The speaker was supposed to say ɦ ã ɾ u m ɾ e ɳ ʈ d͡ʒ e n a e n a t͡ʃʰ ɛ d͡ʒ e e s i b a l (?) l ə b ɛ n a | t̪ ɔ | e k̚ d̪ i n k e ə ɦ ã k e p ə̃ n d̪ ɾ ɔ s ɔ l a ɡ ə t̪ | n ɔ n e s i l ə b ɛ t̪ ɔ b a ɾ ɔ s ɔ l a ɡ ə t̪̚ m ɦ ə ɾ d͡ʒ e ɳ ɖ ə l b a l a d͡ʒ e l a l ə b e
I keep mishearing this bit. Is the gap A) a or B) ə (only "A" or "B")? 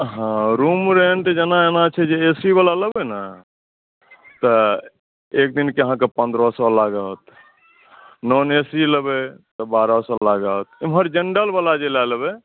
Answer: A